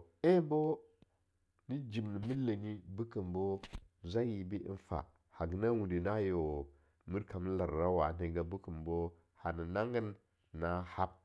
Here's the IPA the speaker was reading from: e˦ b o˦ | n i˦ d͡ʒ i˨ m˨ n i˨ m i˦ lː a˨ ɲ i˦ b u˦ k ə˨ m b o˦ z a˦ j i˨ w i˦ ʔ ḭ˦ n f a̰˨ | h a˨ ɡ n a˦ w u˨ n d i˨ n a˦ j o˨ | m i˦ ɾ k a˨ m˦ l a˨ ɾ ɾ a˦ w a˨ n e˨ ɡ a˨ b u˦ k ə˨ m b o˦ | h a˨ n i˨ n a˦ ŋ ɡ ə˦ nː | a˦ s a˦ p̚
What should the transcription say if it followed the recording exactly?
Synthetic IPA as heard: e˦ b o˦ | n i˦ d͡ʒ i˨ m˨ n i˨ m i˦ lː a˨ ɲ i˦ b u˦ k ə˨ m b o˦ z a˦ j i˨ b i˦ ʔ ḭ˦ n f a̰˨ | h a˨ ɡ n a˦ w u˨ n d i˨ n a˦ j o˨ | m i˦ ɾ k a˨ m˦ l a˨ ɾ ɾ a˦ w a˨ n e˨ ɡ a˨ b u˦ k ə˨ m b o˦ | h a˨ n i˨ n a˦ ŋ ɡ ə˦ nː | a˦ h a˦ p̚

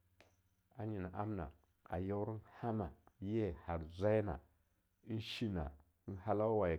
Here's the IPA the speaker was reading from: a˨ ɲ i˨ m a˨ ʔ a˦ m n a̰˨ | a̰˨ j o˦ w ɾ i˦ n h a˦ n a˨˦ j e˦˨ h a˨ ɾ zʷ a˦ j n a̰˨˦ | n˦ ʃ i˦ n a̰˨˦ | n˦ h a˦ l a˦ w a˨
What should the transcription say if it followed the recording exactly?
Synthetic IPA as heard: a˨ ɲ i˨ n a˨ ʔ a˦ m n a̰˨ | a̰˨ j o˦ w ɾ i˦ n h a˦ m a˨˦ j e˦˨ h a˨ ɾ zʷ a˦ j n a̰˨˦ | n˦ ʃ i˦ n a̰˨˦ | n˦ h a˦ l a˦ w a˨

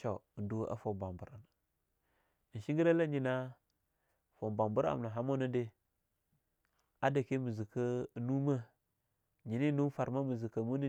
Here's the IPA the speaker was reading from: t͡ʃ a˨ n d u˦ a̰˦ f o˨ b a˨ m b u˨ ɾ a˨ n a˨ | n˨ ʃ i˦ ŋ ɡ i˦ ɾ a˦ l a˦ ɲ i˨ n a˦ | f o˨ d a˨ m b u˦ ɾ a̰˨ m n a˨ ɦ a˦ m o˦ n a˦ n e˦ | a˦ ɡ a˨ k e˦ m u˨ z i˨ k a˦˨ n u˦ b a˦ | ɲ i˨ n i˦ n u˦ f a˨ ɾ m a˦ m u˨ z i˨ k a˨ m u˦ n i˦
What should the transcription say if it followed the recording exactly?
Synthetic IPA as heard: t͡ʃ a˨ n d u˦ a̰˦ f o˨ b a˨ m b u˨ ɾ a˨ n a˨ | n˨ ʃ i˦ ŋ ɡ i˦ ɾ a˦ l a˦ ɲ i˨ n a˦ | f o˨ b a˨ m b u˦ ɾ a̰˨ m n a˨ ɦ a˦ m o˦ n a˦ d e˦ | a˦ d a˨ k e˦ m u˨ z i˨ k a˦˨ n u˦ m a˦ | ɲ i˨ n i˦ n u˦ f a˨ ɾ m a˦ m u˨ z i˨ k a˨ m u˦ n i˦

